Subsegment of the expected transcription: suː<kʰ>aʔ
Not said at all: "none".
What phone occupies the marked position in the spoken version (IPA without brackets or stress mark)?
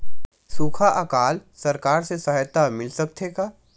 kʰ